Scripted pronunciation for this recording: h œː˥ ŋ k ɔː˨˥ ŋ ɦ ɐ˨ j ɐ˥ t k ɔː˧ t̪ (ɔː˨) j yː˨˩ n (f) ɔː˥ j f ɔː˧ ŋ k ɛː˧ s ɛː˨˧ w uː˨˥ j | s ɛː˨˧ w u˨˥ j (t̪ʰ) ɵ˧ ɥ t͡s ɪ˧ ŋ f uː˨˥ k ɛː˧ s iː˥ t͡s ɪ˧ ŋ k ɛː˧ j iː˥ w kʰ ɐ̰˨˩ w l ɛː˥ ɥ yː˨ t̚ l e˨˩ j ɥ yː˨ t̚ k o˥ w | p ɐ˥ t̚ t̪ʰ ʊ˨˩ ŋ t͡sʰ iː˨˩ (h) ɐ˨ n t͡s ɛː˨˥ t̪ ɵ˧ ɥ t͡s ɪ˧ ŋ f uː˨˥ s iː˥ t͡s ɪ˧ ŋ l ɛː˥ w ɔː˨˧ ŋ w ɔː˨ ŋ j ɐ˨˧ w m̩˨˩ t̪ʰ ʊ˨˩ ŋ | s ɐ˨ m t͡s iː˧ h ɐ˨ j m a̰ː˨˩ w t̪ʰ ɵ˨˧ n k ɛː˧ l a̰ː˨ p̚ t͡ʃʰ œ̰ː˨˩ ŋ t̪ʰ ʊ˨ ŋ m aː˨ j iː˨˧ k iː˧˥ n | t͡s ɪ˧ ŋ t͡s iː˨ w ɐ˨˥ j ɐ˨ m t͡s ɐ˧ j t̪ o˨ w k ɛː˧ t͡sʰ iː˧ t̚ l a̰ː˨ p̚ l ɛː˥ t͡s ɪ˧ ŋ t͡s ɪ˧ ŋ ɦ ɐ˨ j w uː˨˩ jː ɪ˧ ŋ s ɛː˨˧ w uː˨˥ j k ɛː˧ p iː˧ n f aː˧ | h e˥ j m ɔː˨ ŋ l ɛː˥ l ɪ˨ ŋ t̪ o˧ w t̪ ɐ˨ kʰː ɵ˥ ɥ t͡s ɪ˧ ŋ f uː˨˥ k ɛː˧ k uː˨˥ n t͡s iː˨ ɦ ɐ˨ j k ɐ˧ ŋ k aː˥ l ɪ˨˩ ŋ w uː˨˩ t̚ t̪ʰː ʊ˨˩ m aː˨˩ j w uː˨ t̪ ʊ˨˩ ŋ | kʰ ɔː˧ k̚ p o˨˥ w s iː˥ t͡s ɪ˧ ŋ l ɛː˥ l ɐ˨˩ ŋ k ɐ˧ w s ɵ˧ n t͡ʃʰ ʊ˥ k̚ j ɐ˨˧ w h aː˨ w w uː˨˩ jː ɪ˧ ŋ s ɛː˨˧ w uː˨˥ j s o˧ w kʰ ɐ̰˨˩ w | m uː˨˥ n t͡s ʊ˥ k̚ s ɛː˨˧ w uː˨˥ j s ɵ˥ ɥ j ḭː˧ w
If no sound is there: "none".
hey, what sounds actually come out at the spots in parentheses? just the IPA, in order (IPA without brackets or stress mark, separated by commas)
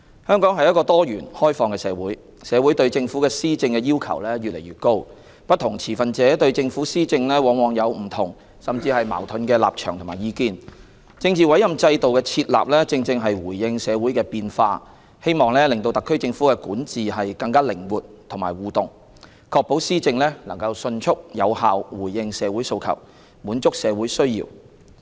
ɔː˥, h, t̪, f